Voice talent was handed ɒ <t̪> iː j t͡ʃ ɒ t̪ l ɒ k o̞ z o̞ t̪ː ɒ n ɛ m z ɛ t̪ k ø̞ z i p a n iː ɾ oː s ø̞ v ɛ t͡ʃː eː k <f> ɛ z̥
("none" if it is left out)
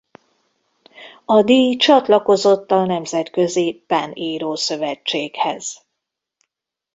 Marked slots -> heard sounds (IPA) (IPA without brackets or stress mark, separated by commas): d̪, h